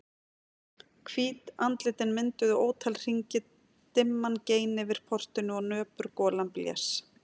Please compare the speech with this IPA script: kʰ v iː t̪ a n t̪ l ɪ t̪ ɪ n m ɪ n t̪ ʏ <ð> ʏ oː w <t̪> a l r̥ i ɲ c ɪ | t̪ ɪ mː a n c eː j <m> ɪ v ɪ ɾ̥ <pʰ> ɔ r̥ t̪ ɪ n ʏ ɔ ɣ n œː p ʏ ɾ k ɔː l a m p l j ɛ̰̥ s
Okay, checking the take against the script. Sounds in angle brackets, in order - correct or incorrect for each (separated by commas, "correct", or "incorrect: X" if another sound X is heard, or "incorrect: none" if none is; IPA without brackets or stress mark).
correct, incorrect: t̪ʰ, incorrect: n, correct